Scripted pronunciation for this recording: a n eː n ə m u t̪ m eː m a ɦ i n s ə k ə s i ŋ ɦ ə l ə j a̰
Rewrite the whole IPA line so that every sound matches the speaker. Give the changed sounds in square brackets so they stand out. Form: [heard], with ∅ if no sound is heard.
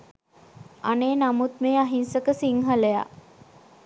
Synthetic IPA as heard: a n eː n [a] m u t̪ m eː [∅] a ɦ i n s ə k ə s i ŋ ɦ ə l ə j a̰